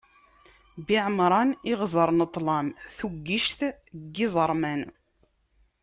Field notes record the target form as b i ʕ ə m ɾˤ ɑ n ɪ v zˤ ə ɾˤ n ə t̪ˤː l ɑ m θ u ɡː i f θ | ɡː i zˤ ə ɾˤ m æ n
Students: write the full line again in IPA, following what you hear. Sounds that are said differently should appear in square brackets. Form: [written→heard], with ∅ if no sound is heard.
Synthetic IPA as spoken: b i ʕ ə m ɾˤ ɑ n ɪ [v→ʁ] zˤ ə ɾˤ n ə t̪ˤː l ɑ m θ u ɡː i [f→ʃ] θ | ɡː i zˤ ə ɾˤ m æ n